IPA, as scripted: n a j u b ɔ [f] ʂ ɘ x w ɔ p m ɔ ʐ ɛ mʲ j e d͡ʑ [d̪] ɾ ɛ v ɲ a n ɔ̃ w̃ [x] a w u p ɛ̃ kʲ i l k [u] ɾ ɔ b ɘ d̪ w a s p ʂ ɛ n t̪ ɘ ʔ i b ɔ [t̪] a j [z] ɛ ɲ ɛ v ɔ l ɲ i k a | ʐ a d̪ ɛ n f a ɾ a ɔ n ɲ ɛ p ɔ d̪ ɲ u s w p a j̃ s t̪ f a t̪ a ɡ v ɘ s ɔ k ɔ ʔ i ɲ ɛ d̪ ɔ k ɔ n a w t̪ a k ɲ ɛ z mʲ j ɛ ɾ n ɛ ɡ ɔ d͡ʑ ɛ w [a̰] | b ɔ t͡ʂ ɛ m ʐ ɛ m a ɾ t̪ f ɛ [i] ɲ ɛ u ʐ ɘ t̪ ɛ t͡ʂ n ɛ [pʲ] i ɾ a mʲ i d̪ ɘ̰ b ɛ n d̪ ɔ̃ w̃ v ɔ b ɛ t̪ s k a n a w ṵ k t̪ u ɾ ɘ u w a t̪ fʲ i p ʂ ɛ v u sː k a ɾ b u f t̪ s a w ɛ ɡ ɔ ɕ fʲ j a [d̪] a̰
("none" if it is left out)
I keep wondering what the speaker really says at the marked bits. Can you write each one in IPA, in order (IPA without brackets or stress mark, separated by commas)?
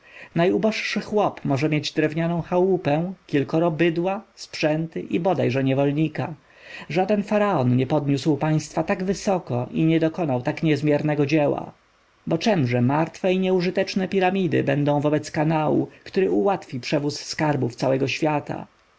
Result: ʂ, d̪, x, ɔ, d̪, ʐ, a̰, i, pʲ, t̪